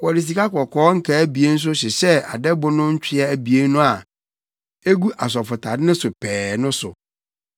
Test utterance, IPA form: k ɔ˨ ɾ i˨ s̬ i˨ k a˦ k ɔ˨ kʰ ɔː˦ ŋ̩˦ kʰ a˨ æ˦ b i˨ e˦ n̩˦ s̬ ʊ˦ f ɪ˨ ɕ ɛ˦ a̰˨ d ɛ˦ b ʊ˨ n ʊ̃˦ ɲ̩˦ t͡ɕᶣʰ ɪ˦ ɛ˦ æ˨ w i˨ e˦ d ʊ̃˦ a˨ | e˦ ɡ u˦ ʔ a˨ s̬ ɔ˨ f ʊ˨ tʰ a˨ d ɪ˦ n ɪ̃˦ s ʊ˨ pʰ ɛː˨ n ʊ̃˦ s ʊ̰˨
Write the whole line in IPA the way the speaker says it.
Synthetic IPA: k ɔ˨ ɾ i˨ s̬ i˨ k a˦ k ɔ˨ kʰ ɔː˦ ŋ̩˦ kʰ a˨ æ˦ b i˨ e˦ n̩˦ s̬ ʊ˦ ɕ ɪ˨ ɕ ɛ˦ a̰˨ d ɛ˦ b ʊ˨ n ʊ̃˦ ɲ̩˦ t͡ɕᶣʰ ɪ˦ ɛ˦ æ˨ b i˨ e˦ n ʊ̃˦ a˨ | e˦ ɡ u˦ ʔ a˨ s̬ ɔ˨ f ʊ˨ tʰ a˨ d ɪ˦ n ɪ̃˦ s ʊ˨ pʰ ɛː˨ n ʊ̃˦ s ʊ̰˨